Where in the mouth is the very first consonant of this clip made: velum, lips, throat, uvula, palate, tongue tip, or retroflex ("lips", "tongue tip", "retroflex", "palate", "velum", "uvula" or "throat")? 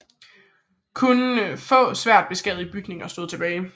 velum